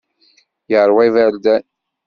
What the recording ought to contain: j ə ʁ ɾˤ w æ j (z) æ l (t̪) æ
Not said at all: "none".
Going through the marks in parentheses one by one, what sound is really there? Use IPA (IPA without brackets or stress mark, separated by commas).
v, d̪